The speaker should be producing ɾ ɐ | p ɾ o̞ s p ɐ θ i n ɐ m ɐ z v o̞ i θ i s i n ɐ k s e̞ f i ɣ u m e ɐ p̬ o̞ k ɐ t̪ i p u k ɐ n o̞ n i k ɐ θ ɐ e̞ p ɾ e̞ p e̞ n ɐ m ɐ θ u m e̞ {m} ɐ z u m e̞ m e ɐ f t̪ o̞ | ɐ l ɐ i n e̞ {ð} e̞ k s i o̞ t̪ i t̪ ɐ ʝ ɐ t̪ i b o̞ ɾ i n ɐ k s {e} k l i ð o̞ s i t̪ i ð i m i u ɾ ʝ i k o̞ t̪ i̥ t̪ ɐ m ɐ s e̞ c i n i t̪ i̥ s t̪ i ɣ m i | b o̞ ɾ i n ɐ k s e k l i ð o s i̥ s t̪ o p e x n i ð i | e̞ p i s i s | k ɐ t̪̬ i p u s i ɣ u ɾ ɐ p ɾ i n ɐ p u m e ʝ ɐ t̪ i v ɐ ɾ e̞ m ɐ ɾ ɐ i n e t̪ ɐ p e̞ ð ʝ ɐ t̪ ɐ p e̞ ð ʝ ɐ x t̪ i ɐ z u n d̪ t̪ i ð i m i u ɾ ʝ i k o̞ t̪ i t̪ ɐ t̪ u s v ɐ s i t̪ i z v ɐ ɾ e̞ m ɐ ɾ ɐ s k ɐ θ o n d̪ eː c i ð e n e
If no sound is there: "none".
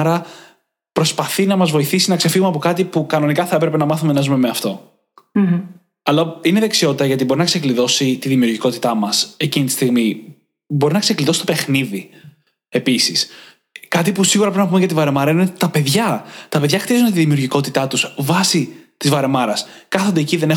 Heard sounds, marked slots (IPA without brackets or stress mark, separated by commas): n, ð, e